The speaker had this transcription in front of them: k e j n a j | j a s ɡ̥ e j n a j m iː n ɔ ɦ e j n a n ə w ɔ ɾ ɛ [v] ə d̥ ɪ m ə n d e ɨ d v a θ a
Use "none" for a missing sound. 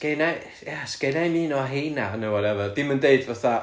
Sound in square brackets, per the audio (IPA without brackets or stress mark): v